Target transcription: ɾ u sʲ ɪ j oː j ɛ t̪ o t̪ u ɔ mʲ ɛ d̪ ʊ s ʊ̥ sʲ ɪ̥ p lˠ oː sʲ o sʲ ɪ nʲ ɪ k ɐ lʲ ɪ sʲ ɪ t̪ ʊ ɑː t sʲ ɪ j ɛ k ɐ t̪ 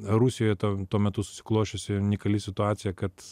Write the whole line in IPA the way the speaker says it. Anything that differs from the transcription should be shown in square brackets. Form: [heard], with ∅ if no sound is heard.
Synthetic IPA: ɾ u sʲ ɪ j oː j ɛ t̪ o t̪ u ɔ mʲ ɛ [t̪] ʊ s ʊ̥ sʲ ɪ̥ [k] lˠ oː [ʃʲ] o sʲ ɪ nʲ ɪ k ɐ lʲ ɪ sʲ ɪ t̪ ʊ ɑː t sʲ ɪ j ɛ k ɐ t̪